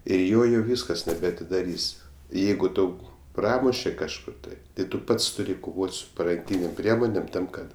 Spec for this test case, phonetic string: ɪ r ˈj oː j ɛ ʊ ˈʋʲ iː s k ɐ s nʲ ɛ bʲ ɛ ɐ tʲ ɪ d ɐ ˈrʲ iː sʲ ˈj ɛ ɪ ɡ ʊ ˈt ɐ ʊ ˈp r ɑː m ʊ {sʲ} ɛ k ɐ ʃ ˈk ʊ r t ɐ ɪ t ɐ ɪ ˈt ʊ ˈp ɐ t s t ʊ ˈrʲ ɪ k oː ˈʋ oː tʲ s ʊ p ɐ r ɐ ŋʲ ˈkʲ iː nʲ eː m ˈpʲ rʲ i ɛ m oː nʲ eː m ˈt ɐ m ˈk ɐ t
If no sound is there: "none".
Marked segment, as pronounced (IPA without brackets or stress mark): ʃʲ